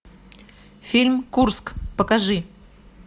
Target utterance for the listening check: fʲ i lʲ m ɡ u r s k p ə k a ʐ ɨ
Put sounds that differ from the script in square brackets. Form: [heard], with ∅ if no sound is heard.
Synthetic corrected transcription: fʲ i lʲ m [k] u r s k p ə k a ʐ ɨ